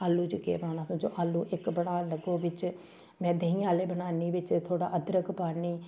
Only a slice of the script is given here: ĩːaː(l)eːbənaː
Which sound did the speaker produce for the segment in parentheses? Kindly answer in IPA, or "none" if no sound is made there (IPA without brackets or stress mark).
l